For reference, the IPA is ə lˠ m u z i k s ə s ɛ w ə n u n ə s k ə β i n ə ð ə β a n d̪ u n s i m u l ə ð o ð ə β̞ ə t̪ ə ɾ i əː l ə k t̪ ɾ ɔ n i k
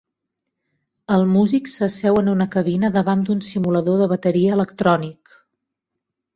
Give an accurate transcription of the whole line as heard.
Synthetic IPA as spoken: ə lˠ m u z i k s ə s ɛ w ə n u n ə k ə β i n ə ð ə β a n d̪ u n s i m u l ə ð o ð ə β̞ ə t̪ ə ɾ i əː l ə k t̪ ɾ ɔ n i k